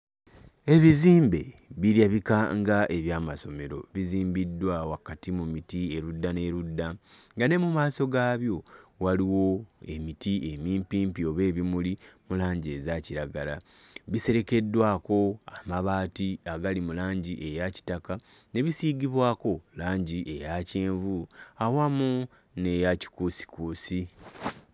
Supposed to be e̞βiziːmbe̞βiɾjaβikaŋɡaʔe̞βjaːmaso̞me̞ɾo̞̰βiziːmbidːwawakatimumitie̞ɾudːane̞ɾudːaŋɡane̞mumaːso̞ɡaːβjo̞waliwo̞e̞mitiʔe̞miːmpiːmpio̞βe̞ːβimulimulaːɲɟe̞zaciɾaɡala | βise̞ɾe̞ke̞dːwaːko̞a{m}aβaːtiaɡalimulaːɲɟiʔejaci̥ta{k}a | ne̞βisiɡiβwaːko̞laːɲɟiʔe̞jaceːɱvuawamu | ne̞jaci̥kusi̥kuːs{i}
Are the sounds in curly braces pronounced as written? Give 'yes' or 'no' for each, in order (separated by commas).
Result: yes, yes, yes